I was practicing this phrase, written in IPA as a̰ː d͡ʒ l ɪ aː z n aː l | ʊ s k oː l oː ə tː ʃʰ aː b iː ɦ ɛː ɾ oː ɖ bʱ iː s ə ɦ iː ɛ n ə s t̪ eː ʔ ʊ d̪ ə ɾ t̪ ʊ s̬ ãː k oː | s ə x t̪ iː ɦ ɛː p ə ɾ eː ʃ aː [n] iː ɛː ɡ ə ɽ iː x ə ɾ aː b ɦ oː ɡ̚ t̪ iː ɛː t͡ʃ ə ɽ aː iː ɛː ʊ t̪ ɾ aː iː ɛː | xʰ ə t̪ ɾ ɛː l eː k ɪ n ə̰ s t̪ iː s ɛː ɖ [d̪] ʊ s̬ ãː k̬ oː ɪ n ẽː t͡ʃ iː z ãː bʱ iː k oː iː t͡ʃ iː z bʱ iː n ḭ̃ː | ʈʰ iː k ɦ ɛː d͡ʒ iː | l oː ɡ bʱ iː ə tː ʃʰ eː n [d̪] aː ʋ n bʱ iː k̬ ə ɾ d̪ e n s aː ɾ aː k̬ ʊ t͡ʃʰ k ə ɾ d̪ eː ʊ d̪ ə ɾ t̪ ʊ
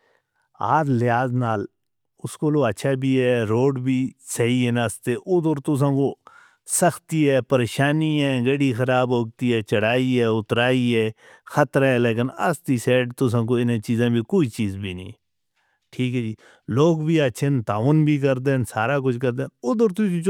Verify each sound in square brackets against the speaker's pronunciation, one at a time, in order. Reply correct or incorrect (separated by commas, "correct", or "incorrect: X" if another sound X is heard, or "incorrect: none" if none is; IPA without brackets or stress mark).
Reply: correct, incorrect: t̪, incorrect: t̪